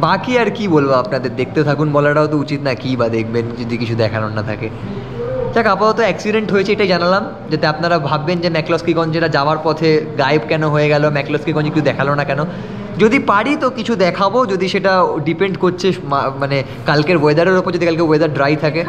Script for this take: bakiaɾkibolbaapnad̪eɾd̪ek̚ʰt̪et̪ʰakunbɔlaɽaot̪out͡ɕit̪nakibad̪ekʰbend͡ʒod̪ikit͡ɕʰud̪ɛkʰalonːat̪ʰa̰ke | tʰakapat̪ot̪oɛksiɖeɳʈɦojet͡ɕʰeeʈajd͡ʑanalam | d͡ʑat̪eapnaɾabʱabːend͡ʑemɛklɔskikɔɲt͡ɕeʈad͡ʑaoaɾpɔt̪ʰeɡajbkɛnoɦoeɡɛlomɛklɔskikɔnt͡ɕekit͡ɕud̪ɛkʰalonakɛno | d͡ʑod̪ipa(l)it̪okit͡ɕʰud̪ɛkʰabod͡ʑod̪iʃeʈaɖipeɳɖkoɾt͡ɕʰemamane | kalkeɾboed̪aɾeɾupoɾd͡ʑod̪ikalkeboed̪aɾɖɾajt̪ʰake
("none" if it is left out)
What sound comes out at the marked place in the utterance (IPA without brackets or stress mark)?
ɽ